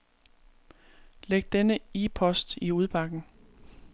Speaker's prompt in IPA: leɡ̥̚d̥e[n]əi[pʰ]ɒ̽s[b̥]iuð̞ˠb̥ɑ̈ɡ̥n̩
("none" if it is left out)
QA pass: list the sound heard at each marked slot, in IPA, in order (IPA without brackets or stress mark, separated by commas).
n, pʰ, d̥